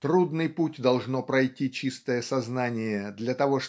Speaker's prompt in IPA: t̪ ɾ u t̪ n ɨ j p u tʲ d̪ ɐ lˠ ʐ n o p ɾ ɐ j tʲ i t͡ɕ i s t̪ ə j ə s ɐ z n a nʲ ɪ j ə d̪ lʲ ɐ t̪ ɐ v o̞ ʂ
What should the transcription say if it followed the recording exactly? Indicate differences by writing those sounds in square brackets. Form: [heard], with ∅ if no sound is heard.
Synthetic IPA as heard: t̪ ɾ u [d̪] n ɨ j p u tʲ d̪ ɐ lˠ ʐ n o p ɾ ɐ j tʲ i t͡ɕ i s t̪ ə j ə s ɐ z n a nʲ ɪ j ə d̪ lʲ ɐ t̪ ɐ v o̞ ʂ